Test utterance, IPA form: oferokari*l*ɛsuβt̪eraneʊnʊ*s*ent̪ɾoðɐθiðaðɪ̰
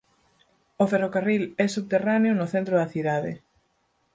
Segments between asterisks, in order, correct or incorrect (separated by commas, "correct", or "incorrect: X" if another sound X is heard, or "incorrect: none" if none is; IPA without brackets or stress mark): correct, incorrect: θ